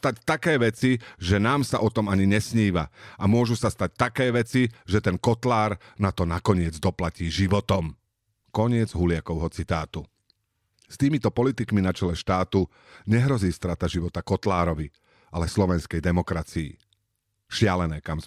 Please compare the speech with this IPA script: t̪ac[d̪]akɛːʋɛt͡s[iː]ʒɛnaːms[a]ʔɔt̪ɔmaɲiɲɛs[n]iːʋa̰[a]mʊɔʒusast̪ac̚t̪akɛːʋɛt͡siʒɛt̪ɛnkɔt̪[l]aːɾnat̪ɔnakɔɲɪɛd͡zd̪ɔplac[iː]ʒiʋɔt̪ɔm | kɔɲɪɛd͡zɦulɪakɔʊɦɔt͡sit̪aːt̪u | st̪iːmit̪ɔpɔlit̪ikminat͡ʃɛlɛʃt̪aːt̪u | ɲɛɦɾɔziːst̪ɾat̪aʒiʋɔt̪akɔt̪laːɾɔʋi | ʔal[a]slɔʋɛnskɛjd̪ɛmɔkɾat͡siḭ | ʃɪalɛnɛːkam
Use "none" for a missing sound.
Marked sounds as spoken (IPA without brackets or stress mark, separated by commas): t̪, i, a, ɲ, a, l, iː, ɛ